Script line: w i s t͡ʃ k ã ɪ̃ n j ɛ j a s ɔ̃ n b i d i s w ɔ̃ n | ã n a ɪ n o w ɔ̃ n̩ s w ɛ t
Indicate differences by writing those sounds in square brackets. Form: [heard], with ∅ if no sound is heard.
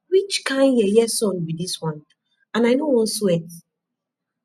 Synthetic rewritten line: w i [∅] t͡ʃ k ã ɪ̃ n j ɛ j [ɛ] s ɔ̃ n b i d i s w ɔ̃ n | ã n a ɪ n o w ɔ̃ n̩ s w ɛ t